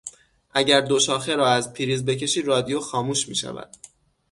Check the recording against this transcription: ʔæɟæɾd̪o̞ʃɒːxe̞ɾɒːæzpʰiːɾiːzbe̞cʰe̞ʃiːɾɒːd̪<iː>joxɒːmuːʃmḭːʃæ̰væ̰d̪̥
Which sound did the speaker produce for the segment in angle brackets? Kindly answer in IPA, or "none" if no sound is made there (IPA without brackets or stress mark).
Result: i